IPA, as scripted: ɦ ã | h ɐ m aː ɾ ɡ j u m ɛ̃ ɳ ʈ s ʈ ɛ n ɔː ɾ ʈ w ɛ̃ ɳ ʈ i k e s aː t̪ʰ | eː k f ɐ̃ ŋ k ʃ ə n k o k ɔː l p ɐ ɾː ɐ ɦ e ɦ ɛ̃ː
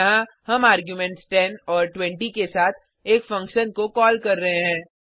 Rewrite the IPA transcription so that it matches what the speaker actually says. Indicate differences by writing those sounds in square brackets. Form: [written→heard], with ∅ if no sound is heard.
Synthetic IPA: ɦ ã | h ɐ m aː ɾ ɡ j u m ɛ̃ ɳ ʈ s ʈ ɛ n ɔː ɾ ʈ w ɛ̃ ɳ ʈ i k e s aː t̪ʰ | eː k f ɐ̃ ŋ k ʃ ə n k o k ɔː l [p→k] ɐ ɾː ɐ ɦ e ɦ ɛ̃ː